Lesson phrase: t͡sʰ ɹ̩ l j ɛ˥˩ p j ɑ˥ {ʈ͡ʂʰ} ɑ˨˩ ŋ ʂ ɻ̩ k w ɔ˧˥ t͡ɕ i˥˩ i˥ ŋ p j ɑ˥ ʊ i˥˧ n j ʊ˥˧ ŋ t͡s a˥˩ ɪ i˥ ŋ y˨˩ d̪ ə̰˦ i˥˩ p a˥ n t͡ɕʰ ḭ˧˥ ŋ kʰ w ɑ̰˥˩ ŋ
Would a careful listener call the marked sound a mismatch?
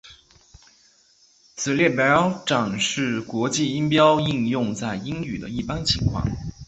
yes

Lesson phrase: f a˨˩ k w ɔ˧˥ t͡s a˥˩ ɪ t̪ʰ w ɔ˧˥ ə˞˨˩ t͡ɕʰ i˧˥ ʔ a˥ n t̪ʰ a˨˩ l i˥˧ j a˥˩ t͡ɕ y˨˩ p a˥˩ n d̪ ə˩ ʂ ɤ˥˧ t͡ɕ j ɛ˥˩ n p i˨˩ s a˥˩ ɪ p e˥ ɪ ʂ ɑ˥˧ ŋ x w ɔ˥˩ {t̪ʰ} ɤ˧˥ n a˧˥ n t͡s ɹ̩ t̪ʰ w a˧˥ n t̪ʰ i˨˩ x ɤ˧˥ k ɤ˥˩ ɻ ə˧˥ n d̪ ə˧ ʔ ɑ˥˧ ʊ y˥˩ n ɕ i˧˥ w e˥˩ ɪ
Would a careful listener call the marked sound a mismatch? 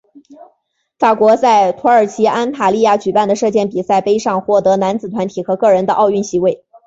yes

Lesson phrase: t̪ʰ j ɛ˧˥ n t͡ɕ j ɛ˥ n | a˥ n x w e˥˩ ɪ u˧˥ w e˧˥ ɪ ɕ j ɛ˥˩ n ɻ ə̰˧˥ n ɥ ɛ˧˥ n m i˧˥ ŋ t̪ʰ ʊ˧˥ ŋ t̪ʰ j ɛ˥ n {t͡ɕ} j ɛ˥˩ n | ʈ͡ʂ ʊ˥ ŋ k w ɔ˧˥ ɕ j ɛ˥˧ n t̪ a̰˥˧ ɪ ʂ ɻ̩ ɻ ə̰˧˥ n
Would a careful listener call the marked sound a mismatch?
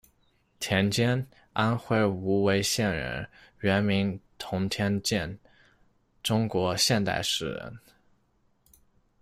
no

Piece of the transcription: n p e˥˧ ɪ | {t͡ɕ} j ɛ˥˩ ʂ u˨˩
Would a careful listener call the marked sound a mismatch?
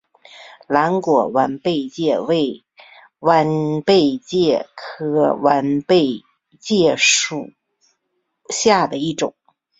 no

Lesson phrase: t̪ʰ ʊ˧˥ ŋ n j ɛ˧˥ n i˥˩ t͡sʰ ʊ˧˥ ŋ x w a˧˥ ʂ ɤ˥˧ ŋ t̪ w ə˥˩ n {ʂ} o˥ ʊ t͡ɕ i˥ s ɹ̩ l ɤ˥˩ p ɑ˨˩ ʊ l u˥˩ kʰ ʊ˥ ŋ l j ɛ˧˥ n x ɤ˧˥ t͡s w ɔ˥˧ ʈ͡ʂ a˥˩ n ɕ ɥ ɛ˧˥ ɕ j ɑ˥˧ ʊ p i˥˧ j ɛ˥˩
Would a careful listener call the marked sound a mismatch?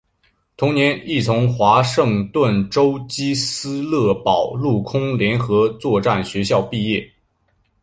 yes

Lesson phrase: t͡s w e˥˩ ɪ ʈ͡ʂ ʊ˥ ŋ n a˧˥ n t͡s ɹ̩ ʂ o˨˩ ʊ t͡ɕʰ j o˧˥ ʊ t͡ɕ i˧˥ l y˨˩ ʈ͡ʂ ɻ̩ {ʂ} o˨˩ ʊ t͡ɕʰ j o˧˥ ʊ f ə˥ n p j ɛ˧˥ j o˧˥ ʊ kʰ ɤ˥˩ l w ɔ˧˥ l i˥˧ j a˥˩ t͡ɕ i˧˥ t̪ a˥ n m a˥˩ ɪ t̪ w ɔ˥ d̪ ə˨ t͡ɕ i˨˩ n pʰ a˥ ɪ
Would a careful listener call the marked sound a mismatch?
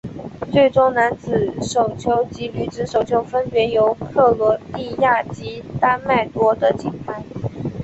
no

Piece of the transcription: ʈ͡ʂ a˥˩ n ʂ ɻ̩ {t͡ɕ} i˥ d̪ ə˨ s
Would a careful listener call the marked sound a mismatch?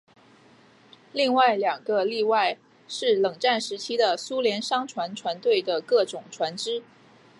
yes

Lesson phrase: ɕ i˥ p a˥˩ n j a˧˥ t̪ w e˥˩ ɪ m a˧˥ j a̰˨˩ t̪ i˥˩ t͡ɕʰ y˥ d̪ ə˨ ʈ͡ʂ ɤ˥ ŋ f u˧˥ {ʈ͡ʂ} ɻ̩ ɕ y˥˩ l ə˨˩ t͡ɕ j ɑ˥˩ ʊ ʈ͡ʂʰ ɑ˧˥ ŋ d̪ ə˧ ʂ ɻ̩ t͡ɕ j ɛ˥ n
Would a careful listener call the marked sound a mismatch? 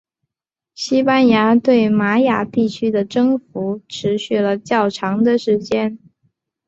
yes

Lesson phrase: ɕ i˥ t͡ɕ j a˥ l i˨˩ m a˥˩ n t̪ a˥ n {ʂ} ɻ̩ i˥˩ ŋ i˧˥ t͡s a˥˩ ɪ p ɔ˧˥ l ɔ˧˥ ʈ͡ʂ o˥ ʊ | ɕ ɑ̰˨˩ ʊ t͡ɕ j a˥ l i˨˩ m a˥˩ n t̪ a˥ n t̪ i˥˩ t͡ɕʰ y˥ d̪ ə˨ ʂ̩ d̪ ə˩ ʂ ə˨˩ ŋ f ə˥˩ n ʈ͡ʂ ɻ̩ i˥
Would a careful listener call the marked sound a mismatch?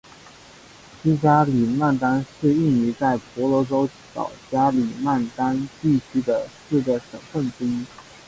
no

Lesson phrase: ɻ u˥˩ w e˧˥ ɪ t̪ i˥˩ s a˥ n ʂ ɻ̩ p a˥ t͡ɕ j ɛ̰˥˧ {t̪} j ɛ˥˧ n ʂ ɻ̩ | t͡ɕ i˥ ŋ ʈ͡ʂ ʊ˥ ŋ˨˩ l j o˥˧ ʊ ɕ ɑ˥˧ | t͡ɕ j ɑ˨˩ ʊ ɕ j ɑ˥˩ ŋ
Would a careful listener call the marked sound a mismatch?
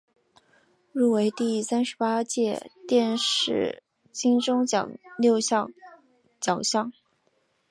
no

